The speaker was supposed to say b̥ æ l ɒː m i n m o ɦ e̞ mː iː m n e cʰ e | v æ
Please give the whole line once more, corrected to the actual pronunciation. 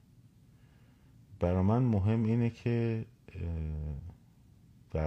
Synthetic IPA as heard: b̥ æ ɾ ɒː m æ n m o ɦ e̞ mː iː n e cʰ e | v æ